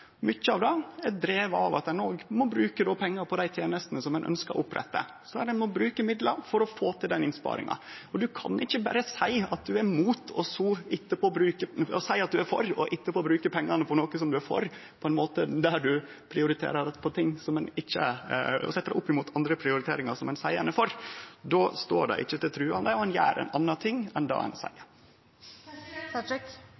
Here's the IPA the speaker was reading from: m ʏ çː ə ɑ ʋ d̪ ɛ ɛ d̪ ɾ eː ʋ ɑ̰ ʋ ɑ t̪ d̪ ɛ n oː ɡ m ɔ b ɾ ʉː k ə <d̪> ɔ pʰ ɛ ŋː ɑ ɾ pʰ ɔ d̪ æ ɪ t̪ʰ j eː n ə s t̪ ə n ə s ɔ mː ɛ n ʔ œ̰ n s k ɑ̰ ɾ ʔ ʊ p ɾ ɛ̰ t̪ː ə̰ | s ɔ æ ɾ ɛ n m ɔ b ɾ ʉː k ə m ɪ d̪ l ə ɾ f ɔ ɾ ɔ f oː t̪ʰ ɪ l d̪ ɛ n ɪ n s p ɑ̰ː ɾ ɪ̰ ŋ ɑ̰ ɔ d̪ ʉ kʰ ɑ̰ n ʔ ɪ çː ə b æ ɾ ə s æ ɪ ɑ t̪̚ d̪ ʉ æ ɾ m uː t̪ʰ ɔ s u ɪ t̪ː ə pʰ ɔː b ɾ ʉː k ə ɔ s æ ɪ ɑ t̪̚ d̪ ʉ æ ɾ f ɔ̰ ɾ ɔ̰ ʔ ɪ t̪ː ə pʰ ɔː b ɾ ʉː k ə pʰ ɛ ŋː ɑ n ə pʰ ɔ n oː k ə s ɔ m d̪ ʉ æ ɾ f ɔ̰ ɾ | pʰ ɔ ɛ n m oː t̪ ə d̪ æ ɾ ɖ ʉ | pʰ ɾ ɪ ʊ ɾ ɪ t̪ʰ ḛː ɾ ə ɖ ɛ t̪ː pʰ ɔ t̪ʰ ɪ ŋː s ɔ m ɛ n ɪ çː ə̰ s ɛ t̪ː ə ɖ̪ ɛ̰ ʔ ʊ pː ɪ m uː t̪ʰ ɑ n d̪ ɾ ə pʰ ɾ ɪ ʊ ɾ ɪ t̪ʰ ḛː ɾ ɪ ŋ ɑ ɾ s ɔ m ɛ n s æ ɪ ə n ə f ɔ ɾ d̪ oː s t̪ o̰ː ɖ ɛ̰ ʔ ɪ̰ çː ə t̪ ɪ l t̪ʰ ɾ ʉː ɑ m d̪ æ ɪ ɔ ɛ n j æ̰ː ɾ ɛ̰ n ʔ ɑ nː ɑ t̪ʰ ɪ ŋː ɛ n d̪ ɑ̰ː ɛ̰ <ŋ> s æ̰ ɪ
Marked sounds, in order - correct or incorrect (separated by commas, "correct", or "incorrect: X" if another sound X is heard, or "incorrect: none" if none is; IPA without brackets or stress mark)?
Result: correct, incorrect: n